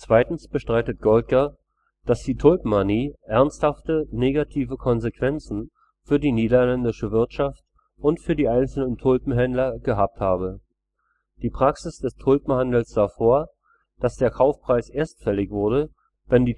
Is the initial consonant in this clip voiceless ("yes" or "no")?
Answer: yes